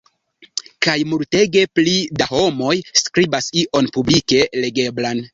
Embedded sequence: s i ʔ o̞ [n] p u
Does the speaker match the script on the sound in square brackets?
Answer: yes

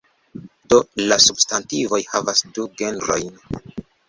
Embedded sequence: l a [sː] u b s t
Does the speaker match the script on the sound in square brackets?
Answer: no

